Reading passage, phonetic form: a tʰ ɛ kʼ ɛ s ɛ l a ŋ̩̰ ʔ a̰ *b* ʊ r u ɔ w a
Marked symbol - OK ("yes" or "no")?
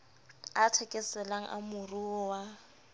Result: no